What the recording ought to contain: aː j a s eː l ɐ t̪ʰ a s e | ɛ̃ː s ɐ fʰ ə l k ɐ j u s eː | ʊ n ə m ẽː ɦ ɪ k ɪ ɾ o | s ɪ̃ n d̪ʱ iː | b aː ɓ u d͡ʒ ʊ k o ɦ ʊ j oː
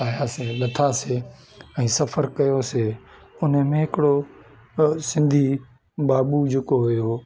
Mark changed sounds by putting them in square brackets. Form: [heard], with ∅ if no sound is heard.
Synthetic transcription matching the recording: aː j a s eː l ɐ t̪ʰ a s e | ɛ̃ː s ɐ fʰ ə [ɾ] k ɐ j [o] s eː | ʊ n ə m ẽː ɦ ɪ k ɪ [ɽ] o | s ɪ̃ n d̪ʱ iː | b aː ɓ u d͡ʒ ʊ k o ɦ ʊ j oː